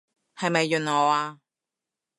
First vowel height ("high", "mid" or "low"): low